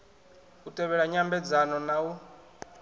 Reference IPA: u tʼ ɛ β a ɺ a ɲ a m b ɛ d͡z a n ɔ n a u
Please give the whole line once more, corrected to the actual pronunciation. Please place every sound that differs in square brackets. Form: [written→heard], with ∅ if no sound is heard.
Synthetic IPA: u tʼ ɛ β [a→ɛ] ɺ a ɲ a m b ɛ d͡z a n ɔ n a u